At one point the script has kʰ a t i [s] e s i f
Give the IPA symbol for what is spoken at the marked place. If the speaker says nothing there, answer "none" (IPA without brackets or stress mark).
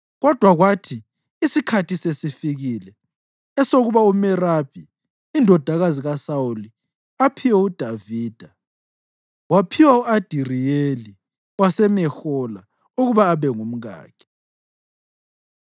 s